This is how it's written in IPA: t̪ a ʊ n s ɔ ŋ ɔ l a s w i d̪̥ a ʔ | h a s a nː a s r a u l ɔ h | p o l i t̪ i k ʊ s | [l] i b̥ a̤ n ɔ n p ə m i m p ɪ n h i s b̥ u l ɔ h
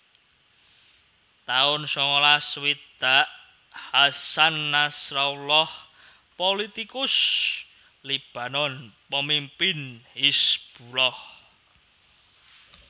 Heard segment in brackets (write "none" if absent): l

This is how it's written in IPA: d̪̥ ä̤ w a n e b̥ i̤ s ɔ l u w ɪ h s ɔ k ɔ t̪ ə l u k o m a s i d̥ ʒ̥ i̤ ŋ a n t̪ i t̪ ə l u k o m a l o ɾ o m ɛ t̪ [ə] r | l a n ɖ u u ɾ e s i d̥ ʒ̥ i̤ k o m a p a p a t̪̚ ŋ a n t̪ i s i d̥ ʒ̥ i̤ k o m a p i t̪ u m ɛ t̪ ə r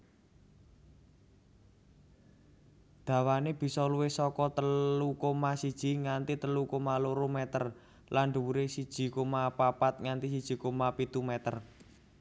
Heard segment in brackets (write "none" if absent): ə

